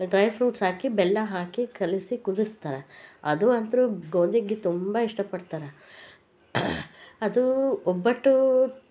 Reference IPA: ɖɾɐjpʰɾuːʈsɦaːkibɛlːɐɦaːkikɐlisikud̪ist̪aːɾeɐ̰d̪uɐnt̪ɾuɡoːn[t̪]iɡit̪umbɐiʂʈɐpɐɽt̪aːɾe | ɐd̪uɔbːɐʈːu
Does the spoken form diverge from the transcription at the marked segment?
yes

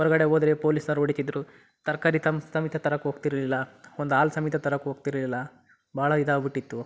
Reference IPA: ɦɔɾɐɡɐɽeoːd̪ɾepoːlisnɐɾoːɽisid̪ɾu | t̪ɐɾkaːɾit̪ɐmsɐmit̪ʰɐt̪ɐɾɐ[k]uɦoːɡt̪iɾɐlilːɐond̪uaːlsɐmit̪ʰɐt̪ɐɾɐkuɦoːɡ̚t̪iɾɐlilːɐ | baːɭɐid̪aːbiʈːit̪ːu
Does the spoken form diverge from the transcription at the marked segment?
no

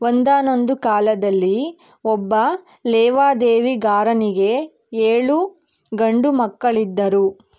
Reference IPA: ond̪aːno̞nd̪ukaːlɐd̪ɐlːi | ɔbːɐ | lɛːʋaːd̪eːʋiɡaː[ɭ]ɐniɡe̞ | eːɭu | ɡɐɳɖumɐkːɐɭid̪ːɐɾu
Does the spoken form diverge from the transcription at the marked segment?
yes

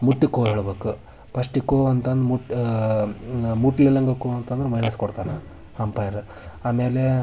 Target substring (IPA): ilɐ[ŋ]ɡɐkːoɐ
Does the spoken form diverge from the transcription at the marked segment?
no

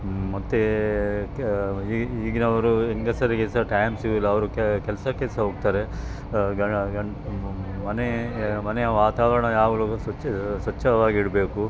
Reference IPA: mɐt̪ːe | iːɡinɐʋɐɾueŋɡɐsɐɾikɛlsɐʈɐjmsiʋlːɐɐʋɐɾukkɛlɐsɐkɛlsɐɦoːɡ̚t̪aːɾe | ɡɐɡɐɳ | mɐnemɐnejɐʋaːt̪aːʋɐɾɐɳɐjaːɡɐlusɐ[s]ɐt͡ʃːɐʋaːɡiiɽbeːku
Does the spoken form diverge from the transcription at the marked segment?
no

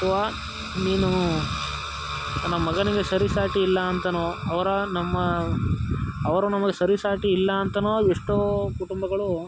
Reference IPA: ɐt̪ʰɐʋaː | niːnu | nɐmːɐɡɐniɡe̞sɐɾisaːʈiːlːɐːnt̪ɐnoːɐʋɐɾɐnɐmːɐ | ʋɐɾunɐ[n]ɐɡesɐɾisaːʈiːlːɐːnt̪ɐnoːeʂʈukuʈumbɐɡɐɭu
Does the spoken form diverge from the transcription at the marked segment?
yes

